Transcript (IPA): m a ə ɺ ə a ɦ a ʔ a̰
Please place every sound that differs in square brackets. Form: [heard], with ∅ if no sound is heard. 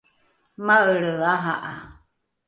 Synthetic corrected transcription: m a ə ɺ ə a ɦ a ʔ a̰